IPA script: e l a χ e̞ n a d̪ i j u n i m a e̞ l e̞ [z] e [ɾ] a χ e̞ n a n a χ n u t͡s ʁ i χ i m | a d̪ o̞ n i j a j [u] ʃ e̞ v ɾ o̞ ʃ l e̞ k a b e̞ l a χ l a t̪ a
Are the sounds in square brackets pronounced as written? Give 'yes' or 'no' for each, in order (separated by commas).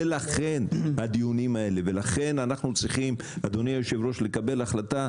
no, no, no